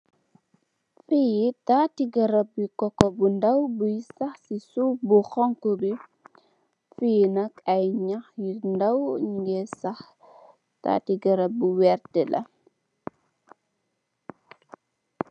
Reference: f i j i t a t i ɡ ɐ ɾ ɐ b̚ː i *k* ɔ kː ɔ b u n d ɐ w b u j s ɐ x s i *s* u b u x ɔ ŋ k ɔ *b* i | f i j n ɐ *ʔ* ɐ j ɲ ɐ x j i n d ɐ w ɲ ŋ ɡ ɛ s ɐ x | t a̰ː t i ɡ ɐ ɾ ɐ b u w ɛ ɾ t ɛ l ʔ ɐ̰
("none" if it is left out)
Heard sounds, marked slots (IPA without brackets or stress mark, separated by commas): k, s, b, k